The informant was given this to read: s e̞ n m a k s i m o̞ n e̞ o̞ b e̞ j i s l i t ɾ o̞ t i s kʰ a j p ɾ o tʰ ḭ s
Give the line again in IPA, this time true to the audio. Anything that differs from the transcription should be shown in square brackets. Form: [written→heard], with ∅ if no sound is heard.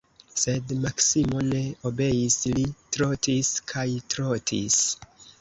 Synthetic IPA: s e̞ [n→d] m a k s i m o̞ n e̞ o̞ b e̞ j i s l i t ɾ o̞ t i s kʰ a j [p→t] ɾ o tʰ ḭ s